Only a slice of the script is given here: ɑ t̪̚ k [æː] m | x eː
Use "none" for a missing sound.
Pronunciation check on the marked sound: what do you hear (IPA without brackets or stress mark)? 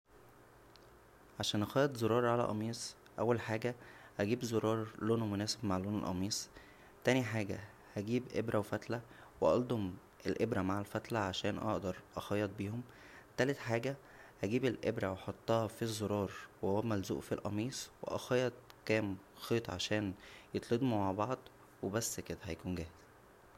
æː